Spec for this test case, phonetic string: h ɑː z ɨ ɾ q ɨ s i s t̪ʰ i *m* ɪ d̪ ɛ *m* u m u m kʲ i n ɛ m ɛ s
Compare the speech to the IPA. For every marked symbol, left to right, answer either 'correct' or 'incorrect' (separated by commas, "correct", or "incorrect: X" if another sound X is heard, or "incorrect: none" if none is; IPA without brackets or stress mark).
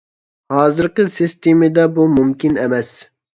correct, incorrect: b